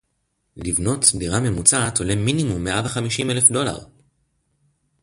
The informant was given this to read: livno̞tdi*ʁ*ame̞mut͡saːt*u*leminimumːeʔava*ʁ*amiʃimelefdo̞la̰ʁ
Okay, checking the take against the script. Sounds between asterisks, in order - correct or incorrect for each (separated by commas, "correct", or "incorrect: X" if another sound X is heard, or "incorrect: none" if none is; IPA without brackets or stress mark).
correct, incorrect: o, incorrect: χ